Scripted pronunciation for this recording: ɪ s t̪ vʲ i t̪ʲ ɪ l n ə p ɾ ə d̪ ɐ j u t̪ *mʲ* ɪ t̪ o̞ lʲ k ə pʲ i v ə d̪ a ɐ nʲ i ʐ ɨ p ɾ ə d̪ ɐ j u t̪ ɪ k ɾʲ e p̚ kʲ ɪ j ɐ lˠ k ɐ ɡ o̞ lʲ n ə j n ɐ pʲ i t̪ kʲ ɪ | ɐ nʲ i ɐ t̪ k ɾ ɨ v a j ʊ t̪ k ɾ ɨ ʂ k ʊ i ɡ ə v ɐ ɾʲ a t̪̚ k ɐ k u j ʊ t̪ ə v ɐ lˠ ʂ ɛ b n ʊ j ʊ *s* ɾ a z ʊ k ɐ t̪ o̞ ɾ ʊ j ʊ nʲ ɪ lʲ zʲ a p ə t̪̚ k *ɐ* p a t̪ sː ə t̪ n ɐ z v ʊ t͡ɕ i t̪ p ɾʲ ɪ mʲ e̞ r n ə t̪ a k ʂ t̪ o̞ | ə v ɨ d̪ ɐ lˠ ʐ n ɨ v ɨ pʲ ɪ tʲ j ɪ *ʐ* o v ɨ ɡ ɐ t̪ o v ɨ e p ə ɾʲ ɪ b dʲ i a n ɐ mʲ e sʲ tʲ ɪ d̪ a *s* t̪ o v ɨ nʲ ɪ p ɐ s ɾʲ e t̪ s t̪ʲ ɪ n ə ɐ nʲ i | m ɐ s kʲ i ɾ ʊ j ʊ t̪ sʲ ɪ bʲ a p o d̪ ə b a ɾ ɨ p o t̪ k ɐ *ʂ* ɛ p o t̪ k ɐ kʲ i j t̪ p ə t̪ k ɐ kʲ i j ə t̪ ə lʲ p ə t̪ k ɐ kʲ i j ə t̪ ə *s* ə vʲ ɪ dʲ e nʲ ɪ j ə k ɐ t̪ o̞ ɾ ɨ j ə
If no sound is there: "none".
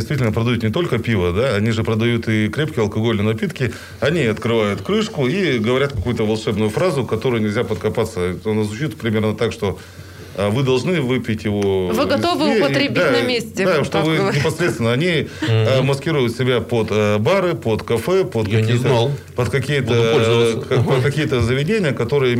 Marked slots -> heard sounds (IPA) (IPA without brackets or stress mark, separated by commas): nʲ, f, ɐ, v, ʂ, f, z